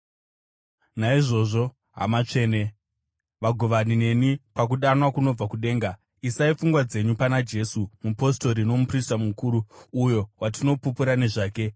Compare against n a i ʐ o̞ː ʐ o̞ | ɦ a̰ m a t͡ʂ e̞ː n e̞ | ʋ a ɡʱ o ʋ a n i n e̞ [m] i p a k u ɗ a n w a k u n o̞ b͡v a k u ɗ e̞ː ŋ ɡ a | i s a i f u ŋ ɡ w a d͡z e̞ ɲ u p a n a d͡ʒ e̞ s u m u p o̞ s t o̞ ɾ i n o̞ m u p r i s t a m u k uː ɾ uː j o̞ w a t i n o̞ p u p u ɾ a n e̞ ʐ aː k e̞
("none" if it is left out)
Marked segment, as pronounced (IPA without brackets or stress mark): n